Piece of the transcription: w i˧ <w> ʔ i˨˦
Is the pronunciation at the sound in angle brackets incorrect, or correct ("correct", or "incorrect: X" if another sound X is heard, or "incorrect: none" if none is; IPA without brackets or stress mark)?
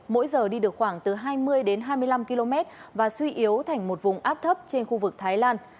incorrect: none